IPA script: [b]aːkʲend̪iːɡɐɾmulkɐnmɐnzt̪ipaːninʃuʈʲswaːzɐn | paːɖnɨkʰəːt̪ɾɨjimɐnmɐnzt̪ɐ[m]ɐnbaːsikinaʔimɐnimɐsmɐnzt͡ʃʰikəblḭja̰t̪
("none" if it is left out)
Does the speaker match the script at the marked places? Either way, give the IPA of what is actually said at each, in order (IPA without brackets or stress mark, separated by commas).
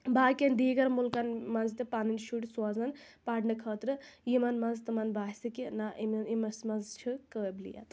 b, m